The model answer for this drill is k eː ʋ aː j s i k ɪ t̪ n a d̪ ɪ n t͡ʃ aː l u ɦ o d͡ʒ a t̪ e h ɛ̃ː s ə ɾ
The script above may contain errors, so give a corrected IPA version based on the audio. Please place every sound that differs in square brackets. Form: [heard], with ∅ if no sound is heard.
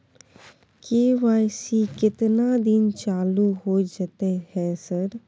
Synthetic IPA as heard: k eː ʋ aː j s i k ɪ t̪ n a d̪ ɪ n t͡ʃ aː l u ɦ o d͡ʒ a t̪ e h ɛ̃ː s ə ɾ